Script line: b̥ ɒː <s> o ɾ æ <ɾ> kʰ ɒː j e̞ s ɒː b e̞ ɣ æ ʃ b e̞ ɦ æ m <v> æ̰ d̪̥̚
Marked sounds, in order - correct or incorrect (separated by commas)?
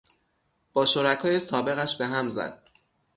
incorrect, incorrect, incorrect